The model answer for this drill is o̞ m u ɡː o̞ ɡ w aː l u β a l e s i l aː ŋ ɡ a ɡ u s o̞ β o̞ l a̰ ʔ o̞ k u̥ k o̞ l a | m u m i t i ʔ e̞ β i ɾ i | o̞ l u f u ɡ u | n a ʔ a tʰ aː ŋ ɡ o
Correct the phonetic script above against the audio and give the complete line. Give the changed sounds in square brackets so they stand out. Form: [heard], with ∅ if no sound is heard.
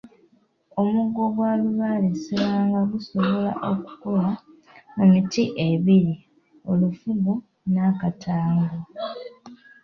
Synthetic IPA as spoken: o̞ m u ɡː o̞ ɡ w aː l u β a l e s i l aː ŋ ɡ a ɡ u s o̞ β o̞ l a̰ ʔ o̞ k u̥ k o̞ l a | m u m i t i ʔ e̞ β i ɾ i | o̞ l u f u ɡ u | n a [k] a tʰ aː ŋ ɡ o